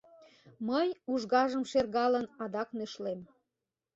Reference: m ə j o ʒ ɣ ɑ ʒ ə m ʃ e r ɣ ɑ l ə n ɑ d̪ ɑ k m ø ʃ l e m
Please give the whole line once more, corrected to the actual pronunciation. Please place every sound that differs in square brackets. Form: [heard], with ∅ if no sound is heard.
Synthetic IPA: m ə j [u] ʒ ɣ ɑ ʒ ə m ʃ e r ɣ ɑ l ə n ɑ d̪ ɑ k [n] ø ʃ l e m